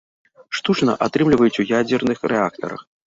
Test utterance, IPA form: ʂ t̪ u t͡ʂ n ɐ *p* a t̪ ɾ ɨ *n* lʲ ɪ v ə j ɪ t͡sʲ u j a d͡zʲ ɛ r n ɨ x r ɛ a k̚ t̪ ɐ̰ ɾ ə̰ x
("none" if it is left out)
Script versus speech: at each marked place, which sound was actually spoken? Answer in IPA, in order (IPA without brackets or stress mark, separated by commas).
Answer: ʔ, m